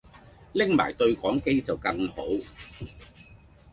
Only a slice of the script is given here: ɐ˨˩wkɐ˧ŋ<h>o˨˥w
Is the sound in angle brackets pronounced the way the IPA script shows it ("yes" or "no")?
yes